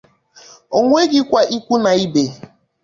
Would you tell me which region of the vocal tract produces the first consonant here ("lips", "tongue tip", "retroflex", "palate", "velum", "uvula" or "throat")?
velum